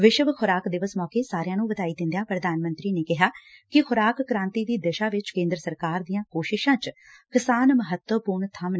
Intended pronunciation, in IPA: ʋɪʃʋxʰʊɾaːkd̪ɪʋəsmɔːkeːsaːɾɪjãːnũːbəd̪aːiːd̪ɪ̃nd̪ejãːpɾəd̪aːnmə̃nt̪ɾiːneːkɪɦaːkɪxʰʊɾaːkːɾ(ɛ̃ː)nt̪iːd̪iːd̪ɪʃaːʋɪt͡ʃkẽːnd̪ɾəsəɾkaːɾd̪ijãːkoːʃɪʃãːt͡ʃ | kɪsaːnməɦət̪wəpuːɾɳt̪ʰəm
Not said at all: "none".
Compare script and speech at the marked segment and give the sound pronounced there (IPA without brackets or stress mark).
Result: ãː